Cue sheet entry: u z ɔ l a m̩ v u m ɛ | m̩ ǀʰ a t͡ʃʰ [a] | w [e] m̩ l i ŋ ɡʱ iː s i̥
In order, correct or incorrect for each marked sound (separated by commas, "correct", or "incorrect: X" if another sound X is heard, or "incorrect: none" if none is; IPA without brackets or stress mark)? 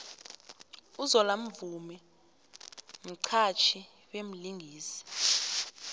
incorrect: i, correct